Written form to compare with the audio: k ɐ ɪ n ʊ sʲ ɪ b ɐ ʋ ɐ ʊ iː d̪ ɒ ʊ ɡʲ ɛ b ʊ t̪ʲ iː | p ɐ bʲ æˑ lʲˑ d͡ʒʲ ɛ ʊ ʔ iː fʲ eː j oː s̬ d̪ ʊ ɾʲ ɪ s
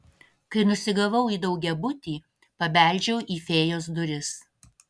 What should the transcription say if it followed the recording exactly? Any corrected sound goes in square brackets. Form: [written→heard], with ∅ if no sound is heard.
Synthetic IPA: k ɐ ɪ n ʊ sʲ ɪ [b→ɡ] ɐ ʋ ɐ ʊ iː d̪ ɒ ʊ ɡʲ ɛ b ʊ t̪ʲ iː | p ɐ bʲ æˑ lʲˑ d͡ʒʲ ɛ ʊ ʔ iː fʲ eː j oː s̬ d̪ ʊ ɾʲ ɪ s

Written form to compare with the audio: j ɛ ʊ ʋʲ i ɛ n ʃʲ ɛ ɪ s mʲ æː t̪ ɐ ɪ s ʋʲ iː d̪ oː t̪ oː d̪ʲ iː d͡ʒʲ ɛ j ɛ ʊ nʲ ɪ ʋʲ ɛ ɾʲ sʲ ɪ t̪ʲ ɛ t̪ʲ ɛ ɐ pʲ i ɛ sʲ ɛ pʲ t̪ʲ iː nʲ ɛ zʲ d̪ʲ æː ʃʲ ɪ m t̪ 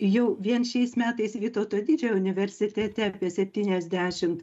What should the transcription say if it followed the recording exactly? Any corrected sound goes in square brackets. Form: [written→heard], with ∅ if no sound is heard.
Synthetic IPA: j ɛ ʊ ʋʲ i ɛ n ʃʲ ɛ ɪ s mʲ æː t̪ ɐ ɪ s ʋʲ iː [d̪→t̪] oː t̪ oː d̪ʲ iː d͡ʒʲ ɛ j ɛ ʊ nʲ ɪ ʋʲ ɛ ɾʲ sʲ ɪ t̪ʲ ɛ t̪ʲ ɛ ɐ pʲ i ɛ sʲ ɛ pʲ t̪ʲ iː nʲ ɛ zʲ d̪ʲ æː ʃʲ ɪ m t̪

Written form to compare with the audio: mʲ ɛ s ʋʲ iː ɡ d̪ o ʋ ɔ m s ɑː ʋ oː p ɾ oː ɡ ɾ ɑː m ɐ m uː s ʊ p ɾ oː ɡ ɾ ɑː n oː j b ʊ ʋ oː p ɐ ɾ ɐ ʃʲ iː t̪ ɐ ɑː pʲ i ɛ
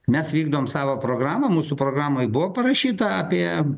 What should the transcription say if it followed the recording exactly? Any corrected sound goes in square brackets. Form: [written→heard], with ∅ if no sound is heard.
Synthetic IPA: mʲ ɛ s ʋʲ iː ɡ d̪ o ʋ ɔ m s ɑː ʋ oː p ɾ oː ɡ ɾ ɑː m ɐ m uː s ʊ p ɾ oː ɡ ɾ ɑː [n→m] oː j b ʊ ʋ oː p ɐ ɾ ɐ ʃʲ iː t̪ ɐ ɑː pʲ i ɛ

